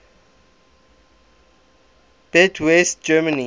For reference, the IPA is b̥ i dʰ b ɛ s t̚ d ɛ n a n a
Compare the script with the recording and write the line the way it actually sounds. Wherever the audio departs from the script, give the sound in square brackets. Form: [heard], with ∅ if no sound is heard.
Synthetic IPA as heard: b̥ [ɛ] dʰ [w] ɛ s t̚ [d͡ʒ] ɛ [m] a n [i]

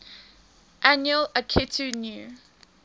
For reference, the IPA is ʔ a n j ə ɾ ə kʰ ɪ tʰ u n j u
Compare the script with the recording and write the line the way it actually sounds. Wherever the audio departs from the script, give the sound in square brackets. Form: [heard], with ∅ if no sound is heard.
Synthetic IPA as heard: ʔ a n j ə [l] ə kʰ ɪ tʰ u n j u

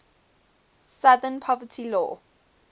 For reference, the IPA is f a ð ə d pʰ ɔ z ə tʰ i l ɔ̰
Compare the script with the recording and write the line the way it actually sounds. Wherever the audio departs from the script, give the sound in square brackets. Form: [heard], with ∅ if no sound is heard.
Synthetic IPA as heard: [s] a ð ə [n] pʰ ɔ [v] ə tʰ i l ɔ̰

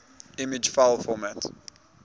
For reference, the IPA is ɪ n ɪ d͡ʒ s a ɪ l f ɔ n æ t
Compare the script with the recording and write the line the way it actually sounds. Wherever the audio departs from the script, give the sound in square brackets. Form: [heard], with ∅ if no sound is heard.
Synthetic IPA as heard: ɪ [m] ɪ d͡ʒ [f] a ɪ l f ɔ [m] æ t

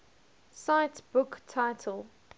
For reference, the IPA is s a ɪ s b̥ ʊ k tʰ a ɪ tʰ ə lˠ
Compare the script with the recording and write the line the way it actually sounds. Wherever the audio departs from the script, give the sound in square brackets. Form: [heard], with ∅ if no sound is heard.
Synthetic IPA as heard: s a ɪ [t] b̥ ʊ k tʰ a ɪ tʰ ə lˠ

